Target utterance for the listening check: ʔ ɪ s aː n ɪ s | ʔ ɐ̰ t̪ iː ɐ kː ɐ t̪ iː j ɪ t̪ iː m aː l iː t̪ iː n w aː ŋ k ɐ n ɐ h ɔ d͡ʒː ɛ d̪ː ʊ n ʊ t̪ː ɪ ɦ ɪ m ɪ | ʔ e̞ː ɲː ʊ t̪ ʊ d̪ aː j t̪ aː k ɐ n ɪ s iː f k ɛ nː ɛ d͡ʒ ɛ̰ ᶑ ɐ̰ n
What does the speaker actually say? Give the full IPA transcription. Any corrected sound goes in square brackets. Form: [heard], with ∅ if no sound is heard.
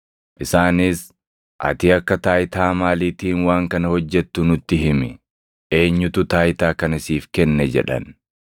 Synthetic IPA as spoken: ʔ ɪ s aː n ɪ s | ʔ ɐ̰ t̪ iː ɐ kː ɐ t̪ [aː] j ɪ t̪ [aː] m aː l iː t̪ iː n w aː ŋ k ɐ n ɐ h ɔ d͡ʒː ɛ [t̪ː] ʊ n ʊ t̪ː ɪ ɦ ɪ m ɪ | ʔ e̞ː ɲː ʊ t̪ ʊ [t̪] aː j t̪ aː k ɐ n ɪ s iː f k ɛ nː ɛ d͡ʒ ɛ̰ ᶑ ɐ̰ n